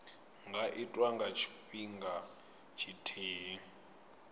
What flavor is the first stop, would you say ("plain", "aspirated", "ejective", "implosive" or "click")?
plain